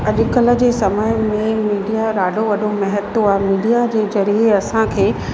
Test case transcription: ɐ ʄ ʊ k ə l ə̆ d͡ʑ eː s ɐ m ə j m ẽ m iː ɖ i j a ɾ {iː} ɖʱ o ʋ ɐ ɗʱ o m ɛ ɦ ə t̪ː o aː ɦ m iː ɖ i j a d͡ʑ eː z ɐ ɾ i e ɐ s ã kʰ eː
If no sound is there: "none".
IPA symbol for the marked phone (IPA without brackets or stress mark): aː